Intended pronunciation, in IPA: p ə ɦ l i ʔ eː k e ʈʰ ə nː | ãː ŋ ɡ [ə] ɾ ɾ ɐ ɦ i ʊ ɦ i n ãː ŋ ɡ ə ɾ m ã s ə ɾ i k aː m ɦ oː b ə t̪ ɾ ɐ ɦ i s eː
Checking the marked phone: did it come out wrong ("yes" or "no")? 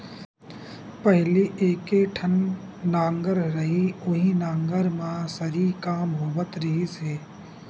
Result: no